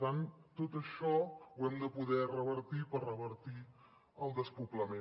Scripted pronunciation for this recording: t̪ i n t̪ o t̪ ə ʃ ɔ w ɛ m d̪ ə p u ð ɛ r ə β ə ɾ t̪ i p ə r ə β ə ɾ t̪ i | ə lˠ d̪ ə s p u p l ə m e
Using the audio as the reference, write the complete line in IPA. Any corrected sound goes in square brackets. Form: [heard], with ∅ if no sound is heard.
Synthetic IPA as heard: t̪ [a] n t̪ o t̪ ə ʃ ɔ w ɛ m d̪ ə p u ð ɛ r ə β ə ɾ t̪ i p ə r ə β ə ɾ t̪ i | ə lˠ d̪ ə s p u p l ə m e